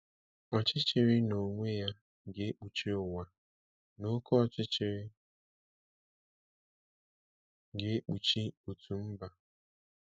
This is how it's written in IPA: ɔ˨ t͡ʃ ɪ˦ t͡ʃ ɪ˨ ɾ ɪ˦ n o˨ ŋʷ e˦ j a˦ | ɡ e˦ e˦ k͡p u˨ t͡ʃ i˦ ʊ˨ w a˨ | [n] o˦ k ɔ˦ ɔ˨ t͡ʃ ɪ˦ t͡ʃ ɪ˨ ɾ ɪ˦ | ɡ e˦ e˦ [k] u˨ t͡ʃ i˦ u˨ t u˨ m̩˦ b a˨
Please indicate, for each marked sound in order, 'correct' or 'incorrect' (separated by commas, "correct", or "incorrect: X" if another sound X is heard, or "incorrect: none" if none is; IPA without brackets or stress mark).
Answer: correct, incorrect: k͡p